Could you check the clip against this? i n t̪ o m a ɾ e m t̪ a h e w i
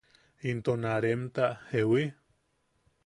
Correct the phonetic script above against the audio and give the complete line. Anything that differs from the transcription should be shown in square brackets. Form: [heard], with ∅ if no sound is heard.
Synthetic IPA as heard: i n t̪ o [n] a ɾ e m t̪ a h e w i